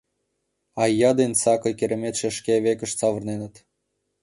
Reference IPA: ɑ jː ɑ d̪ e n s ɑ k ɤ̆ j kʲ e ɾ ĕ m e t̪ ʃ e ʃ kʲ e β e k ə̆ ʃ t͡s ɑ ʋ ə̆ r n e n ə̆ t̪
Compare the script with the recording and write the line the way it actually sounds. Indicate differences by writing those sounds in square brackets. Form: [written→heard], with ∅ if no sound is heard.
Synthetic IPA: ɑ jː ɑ d̪ e n s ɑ k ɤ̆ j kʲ e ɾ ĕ m e t̪ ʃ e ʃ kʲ e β e k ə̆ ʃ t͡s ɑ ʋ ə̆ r n e n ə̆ t̪

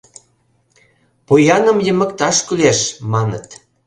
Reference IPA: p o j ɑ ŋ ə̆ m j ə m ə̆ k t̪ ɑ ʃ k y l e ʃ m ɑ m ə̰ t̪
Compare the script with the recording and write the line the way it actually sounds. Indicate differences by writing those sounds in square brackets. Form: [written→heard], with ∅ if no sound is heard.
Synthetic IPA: p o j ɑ [ŋ→n] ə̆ m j ə m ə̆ k t̪ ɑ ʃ k y l e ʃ m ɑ [m→n] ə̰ t̪

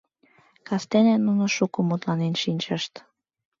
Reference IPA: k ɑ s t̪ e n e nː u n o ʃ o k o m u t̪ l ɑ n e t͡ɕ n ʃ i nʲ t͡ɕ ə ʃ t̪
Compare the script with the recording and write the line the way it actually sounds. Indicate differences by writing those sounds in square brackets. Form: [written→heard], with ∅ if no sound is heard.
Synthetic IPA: k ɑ s t̪ e n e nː u n o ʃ [o→u] k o m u t̪ l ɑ n e [t͡ɕ→∅] n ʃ i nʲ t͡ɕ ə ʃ t̪

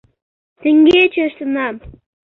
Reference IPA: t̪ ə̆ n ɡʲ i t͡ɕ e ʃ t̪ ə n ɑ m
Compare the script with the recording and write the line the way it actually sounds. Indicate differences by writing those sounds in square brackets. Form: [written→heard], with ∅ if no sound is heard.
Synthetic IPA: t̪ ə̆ [n→ŋ] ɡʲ [i→e] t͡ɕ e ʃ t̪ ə n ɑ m

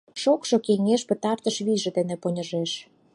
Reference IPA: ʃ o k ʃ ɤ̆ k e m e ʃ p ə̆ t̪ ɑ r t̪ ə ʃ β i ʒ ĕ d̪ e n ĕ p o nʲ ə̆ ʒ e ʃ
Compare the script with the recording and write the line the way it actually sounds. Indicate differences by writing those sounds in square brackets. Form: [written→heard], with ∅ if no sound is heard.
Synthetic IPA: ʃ o k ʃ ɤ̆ k e [m→ŋ] e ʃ p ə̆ t̪ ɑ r t̪ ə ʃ β i ʒ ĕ d̪ e n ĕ p o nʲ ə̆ ʒ e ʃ

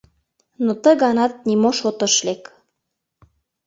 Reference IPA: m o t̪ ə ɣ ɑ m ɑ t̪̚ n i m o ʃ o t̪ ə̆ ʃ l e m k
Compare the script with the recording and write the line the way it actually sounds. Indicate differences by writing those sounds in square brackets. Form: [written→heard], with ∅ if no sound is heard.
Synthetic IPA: [m→n] o t̪ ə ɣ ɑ [m→n] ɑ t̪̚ n i m o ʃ o t̪ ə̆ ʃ l e [m→∅] k

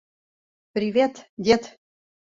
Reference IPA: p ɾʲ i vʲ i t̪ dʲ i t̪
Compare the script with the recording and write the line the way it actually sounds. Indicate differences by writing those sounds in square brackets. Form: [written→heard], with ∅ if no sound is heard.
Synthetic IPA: p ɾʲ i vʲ [i→e] t̪ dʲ [i→e] t̪

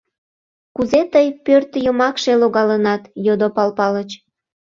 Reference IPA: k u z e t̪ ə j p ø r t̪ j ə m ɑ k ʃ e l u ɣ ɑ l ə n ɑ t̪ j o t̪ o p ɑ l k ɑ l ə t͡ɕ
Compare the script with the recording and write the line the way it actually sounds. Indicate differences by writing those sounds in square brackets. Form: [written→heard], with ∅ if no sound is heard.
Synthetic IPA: k u z e t̪ ə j p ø r t̪ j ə m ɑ k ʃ e l [u→o] ɣ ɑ l ə n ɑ t̪ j o [t̪→d̪] o p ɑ l [k→p] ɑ l ə t͡ɕ

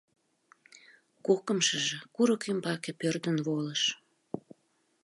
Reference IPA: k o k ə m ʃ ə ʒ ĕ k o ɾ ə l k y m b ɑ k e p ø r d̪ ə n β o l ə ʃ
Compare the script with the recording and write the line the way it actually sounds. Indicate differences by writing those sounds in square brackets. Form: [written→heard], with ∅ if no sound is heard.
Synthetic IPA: k o k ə m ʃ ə ʒ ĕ k [o→u] ɾ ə [l→∅] k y m b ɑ k e p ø r d̪ ə n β o l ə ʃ

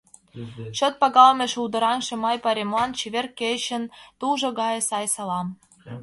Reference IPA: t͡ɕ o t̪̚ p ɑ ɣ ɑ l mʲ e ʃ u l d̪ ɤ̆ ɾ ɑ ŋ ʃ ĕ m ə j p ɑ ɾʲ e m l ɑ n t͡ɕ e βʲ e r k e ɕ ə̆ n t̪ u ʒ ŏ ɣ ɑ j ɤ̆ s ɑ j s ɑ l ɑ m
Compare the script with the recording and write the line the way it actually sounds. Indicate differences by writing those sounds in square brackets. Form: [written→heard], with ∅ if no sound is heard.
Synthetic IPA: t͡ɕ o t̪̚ p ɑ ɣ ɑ l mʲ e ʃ u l d̪ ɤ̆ ɾ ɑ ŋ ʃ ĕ m [ə→ɑ] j p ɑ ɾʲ e m l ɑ n t͡ɕ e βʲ e r k e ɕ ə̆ n t̪ u ʒ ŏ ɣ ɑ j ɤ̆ s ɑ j s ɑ l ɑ m

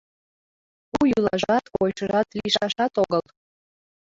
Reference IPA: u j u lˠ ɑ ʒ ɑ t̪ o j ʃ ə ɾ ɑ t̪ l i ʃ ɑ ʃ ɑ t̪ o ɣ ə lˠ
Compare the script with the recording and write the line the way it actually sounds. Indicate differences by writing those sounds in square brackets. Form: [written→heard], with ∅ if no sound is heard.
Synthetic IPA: u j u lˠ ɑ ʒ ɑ t̪ o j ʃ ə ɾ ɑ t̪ l i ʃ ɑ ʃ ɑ t̪ o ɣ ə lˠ

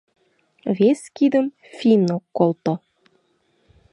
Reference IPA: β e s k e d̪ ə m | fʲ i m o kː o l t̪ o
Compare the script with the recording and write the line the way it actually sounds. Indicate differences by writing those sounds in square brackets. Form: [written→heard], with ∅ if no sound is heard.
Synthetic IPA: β e s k [e→i] d̪ ə m | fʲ i [m→n] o kː o l t̪ o

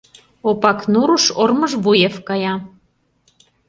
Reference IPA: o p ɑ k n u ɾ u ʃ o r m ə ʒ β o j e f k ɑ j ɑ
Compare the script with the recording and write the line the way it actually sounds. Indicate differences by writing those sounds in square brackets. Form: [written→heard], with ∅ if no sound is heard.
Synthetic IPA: o p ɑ k n u ɾ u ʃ o r m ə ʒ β [o→u] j e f k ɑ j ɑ

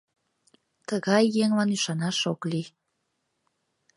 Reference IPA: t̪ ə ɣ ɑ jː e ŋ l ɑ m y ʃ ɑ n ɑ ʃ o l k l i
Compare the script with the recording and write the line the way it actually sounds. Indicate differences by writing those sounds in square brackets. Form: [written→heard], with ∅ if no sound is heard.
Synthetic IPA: t̪ ə ɣ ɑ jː e ŋ l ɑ [m→n] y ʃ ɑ n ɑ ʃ o [l→∅] k l i

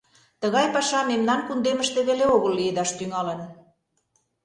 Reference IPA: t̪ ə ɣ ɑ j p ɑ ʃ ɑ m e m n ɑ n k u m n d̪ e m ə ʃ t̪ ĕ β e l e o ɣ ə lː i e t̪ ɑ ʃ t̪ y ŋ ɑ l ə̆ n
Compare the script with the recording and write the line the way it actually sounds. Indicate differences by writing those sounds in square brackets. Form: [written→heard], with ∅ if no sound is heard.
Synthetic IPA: t̪ ə ɣ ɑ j p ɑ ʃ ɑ m e m n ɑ n k u [m→∅] n d̪ e m ə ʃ t̪ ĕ β e l e o ɣ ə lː i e [t̪→d̪] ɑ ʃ t̪ y ŋ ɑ l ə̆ n

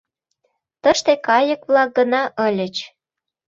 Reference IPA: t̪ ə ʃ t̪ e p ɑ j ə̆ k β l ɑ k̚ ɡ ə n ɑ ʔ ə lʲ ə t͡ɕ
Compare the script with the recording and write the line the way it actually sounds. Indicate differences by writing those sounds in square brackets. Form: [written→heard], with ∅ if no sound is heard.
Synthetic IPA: t̪ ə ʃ t̪ e [p→k] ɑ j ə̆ k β l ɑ k̚ ɡ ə n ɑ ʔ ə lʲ ə t͡ɕ

